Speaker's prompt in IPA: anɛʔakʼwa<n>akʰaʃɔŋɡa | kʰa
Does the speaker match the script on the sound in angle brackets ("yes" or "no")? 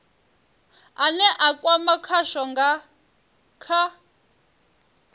no